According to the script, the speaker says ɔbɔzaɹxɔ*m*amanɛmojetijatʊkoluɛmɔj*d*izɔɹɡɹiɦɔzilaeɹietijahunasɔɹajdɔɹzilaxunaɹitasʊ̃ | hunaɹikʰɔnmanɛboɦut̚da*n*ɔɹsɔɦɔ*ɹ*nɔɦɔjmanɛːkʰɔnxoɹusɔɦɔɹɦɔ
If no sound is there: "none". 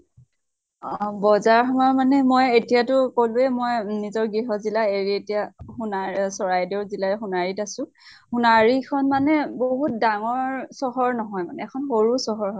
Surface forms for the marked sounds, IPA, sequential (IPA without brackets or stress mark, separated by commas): m, n, ŋ, ɹ